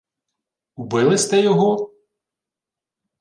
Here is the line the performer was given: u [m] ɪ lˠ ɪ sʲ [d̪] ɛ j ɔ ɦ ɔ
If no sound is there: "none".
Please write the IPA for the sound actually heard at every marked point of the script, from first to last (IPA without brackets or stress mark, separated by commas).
b, t̪